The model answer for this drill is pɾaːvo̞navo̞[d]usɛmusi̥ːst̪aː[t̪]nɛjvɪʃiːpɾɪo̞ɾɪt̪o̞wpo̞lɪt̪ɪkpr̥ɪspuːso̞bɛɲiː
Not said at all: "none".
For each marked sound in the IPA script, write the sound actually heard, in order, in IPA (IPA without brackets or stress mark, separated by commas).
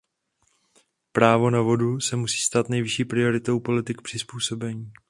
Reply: d, t̪